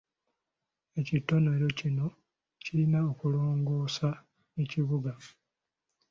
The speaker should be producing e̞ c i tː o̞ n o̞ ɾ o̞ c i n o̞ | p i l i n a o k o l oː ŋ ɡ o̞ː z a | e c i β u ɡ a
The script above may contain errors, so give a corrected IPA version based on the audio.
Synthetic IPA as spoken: e̞ c i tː o̞ n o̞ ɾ o̞ c i n o̞ | c i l i n a o k u l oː ŋ ɡ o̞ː s a | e c i β u ɡ a